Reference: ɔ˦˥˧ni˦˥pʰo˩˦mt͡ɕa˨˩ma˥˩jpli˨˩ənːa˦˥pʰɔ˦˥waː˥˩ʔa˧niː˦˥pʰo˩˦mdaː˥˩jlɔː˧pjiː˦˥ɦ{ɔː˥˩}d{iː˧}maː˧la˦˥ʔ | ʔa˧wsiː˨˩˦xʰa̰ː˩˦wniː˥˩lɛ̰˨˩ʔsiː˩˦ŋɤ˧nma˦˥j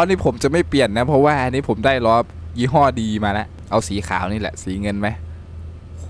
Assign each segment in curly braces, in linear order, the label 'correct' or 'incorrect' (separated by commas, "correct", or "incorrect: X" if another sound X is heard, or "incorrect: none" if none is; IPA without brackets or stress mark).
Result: correct, correct